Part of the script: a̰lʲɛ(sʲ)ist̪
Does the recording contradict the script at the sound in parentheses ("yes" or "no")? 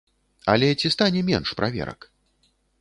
yes